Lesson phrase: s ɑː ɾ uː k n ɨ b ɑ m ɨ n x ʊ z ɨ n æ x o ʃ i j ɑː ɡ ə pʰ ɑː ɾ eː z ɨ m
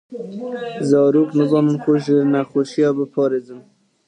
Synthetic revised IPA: z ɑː ɾ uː k n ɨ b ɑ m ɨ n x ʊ ʒ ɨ n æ x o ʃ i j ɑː b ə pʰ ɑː ɾ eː z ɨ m